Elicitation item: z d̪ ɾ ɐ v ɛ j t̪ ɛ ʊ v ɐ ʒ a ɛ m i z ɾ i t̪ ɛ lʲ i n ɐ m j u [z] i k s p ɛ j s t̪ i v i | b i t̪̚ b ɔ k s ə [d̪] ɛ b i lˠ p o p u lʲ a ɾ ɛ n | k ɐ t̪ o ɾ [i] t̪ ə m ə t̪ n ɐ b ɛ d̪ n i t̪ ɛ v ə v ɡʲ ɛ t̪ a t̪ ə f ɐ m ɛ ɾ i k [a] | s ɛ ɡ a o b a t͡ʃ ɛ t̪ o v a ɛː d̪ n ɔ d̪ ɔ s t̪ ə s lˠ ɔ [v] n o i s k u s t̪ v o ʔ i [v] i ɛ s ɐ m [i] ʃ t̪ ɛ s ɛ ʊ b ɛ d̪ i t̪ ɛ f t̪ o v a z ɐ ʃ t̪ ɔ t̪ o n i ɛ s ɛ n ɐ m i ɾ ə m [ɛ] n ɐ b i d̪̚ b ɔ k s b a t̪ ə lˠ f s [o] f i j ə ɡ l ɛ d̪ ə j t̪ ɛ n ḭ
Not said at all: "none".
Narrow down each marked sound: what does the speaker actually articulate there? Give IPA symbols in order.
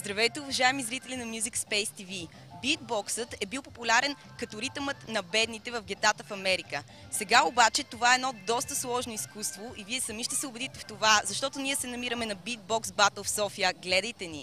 z, t̪, i, ə, ʒ, v, i, ɛ, ɔ

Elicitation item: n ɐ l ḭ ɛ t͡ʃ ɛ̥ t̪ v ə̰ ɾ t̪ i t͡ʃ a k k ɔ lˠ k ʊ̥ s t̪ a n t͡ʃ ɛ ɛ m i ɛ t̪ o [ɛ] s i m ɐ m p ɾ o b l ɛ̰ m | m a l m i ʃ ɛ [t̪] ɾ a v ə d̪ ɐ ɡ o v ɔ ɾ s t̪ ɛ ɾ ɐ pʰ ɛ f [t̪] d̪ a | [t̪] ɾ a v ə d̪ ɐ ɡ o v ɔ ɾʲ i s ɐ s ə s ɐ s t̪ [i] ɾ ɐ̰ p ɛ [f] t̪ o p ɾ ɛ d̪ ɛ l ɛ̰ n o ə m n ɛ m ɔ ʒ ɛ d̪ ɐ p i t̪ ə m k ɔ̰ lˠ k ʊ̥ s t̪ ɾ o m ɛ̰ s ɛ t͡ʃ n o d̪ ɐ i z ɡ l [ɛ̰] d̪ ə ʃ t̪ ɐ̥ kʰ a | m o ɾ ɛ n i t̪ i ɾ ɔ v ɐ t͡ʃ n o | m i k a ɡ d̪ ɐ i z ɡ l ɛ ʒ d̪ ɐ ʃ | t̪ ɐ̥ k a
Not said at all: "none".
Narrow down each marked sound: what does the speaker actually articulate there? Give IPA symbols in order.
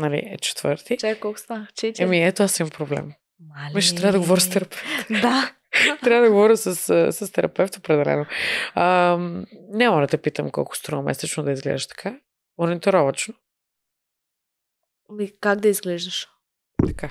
a, t̪, t̪, t̪, ɛ, f, ɛ̰

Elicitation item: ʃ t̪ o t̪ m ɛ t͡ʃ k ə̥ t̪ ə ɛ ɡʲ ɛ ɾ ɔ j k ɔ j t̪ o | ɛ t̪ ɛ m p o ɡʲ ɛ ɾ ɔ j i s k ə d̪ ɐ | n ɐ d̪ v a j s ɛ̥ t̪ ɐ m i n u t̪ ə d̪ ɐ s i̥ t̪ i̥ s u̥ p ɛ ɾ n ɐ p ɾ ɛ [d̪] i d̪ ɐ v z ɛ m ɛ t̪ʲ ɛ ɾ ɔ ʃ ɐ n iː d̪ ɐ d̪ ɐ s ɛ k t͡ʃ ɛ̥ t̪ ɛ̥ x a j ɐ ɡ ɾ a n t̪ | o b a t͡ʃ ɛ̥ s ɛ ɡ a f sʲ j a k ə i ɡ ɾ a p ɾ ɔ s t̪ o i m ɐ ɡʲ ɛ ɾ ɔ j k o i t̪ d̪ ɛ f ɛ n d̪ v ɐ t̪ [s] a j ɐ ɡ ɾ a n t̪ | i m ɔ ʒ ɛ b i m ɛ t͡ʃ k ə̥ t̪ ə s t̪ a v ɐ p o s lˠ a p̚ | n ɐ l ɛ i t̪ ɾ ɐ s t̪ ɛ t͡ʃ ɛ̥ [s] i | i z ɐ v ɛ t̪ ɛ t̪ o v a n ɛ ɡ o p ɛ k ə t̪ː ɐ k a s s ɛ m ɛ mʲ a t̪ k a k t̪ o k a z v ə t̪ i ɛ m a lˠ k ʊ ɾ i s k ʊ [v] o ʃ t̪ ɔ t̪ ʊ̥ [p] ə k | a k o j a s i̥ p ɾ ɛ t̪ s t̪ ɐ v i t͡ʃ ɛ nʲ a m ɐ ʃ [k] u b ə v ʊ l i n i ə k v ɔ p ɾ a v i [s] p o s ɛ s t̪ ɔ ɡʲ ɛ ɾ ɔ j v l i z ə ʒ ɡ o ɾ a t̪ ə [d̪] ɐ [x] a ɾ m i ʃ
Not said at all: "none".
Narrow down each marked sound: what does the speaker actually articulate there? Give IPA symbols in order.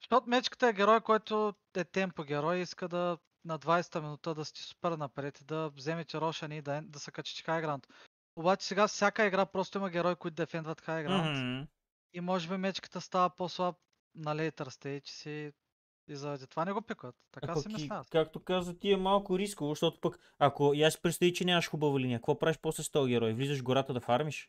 t̪, x, s, v, p, x, ʃ, d̪, f

